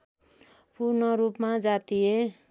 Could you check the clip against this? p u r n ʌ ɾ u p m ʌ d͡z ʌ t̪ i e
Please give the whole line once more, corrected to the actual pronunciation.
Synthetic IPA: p u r n ʌ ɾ u p m a d͡z a t̪ i e